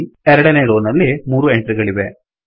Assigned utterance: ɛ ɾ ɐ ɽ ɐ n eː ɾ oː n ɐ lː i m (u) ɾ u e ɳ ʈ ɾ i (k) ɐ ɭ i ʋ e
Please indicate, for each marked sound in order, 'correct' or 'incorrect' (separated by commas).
incorrect, incorrect